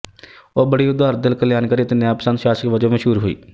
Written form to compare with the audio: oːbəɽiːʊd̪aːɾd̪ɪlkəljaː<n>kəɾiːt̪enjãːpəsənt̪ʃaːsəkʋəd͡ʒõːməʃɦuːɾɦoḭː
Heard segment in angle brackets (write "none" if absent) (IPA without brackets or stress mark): n